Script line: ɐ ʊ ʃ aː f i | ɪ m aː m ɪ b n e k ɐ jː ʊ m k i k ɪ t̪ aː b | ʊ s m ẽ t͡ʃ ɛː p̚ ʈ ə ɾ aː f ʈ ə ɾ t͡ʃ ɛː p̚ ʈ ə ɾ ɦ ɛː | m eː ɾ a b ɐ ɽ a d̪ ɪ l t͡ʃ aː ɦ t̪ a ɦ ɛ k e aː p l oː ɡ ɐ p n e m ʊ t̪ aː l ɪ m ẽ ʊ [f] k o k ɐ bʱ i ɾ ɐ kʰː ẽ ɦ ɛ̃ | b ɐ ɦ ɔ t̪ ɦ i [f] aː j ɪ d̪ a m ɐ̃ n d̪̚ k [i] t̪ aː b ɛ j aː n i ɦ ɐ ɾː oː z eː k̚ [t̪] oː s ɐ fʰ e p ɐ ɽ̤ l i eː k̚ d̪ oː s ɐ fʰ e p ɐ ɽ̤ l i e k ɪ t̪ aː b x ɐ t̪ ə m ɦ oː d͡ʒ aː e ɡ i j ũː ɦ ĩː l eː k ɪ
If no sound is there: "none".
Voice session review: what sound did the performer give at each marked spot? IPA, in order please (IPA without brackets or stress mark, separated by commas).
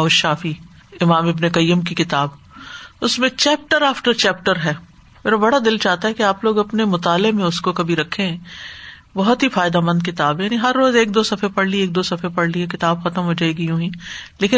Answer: s, f, ɪ, d̪